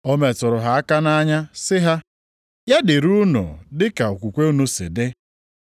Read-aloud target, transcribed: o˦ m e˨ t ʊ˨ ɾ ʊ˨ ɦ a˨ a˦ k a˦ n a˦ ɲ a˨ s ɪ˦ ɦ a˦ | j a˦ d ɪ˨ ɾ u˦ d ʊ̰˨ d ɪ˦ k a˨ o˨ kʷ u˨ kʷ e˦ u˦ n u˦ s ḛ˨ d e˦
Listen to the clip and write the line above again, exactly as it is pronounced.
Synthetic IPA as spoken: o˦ m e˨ t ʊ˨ ɾ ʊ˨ ɦ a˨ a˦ k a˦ n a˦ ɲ a˦ s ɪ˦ ɦ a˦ | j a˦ d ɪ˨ ɾ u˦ n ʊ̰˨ d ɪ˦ k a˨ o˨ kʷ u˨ kʷ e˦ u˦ n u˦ s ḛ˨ d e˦